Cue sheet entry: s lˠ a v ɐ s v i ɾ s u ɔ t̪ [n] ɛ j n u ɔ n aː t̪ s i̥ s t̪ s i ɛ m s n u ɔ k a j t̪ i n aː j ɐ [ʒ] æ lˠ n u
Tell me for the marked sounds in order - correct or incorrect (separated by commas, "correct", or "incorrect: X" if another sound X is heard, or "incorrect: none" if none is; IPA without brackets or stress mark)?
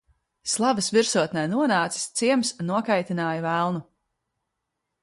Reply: correct, incorrect: v